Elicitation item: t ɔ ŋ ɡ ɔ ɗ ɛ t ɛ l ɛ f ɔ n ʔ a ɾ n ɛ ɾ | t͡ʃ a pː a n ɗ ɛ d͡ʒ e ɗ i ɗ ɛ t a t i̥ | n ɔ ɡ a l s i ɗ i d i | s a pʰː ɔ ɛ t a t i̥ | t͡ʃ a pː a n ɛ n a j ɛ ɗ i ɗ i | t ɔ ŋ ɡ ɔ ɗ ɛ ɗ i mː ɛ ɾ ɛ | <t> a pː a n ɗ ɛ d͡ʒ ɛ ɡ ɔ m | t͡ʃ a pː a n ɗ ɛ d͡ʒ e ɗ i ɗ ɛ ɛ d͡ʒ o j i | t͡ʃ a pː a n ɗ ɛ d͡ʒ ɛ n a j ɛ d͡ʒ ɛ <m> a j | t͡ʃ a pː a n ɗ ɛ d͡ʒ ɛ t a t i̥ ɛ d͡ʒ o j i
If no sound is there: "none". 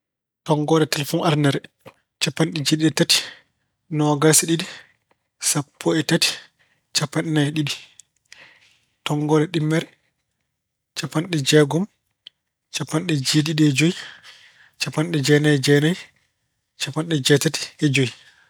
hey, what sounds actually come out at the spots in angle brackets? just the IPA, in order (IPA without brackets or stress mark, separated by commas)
t͡ʃ, n